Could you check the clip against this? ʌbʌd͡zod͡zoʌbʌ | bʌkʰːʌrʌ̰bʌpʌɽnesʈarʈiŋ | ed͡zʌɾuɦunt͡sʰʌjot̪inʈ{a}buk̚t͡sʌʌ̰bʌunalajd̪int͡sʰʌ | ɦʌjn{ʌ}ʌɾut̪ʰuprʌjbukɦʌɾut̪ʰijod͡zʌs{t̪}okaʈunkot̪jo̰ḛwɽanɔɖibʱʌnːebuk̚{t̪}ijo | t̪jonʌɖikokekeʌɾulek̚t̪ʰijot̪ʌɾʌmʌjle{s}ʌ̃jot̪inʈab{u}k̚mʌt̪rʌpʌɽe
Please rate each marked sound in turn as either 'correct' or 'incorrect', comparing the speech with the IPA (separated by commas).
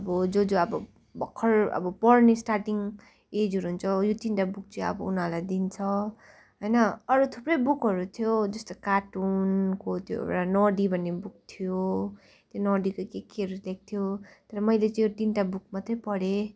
correct, correct, correct, incorrect, incorrect, correct